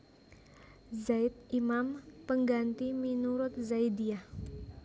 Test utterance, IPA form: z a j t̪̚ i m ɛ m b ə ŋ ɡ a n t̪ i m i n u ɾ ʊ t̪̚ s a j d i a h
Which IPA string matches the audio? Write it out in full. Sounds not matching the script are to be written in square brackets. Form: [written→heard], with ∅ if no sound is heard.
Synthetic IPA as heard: z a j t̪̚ i m [ɛ→a] m [b→p] ə ŋ ɡ a n t̪ i m i n u ɾ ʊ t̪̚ [s→z] a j d i a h